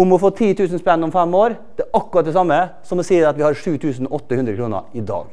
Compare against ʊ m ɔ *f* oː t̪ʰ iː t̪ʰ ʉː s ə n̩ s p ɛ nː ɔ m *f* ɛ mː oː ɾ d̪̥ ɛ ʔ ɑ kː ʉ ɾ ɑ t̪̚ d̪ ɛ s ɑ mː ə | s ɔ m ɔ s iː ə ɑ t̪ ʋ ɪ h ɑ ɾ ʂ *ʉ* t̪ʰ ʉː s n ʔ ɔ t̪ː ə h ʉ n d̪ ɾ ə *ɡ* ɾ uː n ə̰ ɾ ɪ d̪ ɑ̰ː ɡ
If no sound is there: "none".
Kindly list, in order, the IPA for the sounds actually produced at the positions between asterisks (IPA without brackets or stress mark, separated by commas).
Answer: f, f, ʉː, k